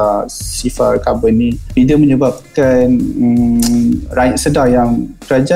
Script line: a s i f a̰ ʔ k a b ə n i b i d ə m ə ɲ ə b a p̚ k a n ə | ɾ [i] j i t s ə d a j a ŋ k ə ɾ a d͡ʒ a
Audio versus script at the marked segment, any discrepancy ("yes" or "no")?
yes